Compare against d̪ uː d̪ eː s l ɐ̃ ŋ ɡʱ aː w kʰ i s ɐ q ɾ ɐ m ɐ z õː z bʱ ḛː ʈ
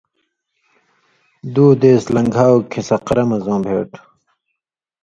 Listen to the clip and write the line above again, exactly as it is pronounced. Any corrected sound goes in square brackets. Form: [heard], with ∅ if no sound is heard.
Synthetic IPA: d̪ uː d̪ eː s l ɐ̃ ŋ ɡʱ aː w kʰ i s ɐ q ɾ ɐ m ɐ z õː [∅] bʱ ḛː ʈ